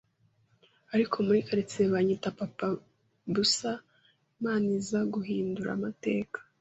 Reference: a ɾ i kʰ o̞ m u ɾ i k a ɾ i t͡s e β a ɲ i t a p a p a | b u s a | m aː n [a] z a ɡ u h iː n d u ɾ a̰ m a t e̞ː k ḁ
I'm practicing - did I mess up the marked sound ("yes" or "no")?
yes